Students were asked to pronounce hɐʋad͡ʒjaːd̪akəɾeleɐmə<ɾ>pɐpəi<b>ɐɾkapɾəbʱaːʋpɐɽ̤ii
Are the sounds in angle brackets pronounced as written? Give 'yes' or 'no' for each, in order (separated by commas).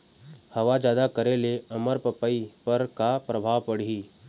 yes, no